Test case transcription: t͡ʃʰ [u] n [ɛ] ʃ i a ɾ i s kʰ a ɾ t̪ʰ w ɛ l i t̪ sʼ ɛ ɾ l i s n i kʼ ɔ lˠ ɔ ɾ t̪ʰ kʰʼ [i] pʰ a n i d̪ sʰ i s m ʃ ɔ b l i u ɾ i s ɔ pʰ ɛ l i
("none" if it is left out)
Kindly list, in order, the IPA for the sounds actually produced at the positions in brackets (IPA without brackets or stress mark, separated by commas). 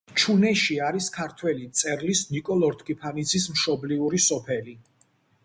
u, ɛ, i